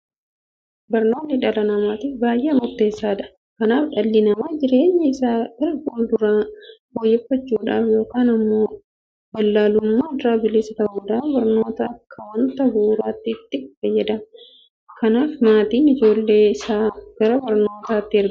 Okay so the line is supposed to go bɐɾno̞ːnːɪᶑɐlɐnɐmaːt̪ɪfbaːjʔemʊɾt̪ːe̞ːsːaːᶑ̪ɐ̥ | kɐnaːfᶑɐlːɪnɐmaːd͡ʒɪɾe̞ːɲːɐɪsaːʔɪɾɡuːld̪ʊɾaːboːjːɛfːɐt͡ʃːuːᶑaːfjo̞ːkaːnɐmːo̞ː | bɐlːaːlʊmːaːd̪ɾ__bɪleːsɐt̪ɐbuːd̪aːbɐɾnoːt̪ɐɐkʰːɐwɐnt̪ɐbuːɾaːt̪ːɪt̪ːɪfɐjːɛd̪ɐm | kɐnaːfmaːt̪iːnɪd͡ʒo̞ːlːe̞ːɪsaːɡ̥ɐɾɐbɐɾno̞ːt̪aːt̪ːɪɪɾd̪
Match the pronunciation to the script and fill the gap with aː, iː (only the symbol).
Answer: aː